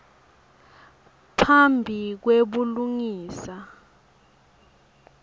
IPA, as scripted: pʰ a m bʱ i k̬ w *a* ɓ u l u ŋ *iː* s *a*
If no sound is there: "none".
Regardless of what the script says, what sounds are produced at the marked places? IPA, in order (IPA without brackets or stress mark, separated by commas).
e, iː, a